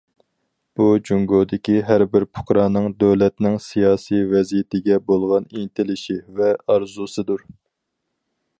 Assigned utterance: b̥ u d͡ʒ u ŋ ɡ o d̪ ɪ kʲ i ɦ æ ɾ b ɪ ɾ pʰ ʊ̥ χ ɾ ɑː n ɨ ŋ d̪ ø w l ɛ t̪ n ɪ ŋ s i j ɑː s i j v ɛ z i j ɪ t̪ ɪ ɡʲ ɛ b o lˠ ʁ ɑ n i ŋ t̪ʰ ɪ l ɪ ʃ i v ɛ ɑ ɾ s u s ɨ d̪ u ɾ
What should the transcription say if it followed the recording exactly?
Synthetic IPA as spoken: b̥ u d͡ʒ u ŋ ɡ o d̪ ɪ kʲ i ɦ æ ɾ b ɪ ɾ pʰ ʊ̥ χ ɾ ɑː n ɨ ŋ d̪ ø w l ɛ t̪ n ɪ ŋ s i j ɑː s i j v ɛ z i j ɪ t̪ ɪ ɡʲ ɛ b o lˠ ʁ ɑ n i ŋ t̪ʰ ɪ l ɪ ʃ i v ɛ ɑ ɾ z u s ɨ d̪ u ɾ

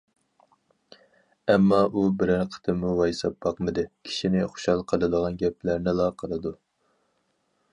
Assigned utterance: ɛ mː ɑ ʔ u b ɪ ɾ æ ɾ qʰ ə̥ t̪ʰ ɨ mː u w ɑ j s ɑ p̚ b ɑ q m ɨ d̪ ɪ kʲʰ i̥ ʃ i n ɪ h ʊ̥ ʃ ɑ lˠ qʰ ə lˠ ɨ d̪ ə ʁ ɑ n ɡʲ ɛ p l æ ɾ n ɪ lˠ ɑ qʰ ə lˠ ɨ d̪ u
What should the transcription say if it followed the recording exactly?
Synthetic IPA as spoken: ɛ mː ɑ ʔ u b ɪ ɾ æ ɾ qʰ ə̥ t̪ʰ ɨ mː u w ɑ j s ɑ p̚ b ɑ q m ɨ d̪ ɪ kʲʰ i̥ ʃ i n ɪ χ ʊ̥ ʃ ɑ lˠ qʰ ə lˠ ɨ d̪ ə ʁ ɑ n ɡʲ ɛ p l æ ɾ n ɪ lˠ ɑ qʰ ə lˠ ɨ d̪ u

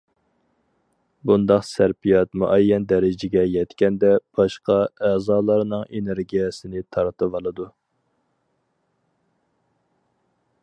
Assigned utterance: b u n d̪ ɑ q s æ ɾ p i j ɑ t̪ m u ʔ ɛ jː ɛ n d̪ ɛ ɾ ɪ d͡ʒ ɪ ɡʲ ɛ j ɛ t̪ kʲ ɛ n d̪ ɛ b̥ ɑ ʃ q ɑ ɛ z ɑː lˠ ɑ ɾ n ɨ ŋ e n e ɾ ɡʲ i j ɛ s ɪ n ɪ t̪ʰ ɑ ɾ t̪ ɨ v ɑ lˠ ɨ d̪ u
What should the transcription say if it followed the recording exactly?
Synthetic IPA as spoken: b u n d̪ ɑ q s æ ɾ p i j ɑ t̪ m u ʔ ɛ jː ɛ n d̪ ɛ ɾ ɪ d͡ʒ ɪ ɡʲ ɛ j ɛ t̪ kʲ ɛ n d̪ ɛ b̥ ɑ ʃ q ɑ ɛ z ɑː lˠ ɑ ɾ n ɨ ŋ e n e ɾ ɡʲ i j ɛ s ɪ n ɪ t̪ʰ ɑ ɾ t̪ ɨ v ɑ lˠ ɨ d̪ u

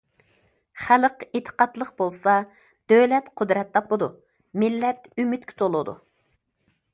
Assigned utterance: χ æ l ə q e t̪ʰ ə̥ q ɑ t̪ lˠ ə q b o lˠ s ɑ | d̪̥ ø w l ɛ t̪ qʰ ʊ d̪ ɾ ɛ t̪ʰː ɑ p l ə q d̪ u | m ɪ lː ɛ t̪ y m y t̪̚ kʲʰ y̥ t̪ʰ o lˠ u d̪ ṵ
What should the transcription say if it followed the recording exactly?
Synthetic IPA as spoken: χ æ l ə q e t̪ʰ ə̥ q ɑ t̪ lˠ ə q b o lˠ s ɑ | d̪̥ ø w l ɛ t̪ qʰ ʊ d̪ ɾ ɛ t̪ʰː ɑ p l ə d̪ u | m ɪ lː ɛ t̪ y m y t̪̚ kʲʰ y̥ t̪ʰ o lˠ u d̪ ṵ

